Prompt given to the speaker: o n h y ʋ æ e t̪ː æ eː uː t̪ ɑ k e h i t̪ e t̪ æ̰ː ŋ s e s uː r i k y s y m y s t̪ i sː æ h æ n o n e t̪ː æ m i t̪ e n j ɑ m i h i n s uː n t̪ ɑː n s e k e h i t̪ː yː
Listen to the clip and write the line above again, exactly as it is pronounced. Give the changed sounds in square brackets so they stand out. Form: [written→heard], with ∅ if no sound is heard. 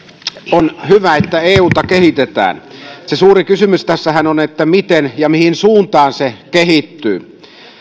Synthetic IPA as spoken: o n h y ʋ æ e t̪ː æ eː uː t̪ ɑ k e h i t̪ e t̪ æ̰ː [ŋ→n] s e s uː r i k y s y m y s t̪ [i→æ] sː æ h æ n o n e t̪ː æ m i t̪ e n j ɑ m i h i n s uː n t̪ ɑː n s e k e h i t̪ː yː